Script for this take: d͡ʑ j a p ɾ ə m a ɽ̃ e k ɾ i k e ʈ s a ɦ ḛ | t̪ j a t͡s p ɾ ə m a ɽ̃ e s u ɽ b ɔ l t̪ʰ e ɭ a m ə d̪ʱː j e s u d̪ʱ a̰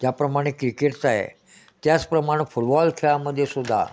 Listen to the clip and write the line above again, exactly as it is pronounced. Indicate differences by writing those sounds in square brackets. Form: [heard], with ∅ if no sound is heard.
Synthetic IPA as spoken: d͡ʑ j a p ɾ ə m a ɽ̃ e k ɾ i k e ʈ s a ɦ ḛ | t̪ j a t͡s p ɾ ə m a ɽ̃ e [f] u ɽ b ɔ l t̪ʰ e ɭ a m ə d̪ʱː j e s u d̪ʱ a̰